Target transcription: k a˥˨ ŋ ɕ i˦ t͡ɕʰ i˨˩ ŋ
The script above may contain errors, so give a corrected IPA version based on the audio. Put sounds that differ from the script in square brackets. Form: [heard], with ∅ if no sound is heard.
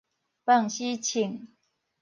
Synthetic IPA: [p] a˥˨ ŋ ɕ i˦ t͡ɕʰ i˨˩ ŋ